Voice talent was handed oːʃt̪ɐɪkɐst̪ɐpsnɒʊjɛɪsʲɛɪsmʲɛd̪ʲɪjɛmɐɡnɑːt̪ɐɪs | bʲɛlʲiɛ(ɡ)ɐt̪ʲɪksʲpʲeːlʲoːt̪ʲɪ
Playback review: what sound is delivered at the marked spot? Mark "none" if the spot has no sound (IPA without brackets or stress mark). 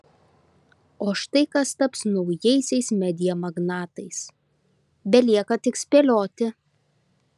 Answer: k